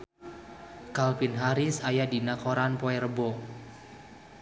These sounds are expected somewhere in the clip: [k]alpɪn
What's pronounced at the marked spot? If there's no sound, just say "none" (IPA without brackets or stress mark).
k